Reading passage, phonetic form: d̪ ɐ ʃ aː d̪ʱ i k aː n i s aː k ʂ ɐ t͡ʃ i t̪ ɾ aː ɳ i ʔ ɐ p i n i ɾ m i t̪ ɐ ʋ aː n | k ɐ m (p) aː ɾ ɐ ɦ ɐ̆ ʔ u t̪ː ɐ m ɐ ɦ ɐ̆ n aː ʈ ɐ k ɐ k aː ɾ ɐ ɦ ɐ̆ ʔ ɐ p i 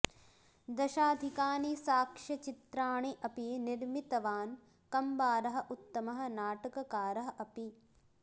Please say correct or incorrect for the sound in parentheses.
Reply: incorrect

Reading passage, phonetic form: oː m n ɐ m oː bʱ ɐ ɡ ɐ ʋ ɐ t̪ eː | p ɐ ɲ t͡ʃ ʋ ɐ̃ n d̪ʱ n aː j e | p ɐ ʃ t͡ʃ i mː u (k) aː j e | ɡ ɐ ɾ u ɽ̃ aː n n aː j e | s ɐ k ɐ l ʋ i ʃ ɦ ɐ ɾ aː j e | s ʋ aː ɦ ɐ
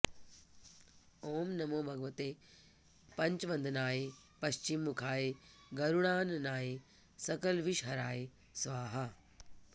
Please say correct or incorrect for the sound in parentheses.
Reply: incorrect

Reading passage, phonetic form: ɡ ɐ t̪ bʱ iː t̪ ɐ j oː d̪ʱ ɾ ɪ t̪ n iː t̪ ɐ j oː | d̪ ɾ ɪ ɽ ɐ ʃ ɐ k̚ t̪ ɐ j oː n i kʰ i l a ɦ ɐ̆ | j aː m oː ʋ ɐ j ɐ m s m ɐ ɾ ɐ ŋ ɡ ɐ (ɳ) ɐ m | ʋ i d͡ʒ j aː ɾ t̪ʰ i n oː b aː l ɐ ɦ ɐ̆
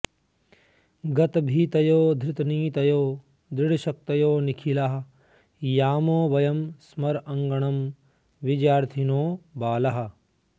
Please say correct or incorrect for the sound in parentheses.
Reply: correct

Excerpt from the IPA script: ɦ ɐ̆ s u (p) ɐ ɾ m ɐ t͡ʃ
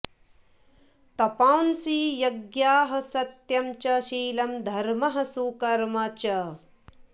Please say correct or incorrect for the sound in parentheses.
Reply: incorrect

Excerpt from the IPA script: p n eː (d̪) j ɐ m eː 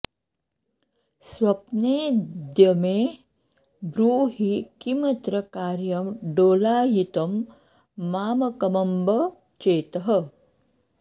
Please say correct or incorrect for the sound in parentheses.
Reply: correct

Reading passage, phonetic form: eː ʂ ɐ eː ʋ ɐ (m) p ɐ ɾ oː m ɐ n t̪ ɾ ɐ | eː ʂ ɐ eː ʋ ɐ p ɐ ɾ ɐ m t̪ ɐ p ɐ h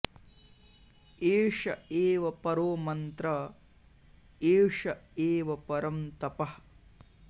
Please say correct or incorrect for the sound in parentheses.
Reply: incorrect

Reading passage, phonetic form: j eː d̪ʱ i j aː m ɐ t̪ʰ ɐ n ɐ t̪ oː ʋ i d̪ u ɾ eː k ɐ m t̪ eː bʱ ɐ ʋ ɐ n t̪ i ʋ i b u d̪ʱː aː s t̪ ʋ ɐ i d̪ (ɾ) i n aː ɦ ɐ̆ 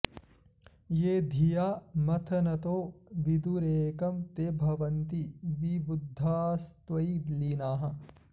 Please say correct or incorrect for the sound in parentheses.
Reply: incorrect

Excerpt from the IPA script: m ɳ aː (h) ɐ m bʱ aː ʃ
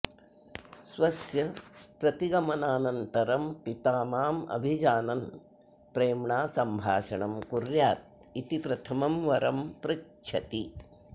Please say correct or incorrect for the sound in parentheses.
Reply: incorrect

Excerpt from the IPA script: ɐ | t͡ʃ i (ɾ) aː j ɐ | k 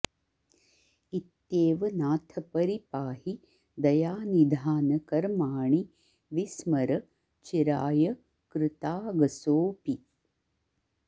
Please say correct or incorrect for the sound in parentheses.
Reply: correct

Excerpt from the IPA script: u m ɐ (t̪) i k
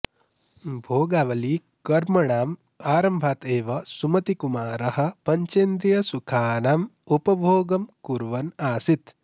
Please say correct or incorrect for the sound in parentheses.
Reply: correct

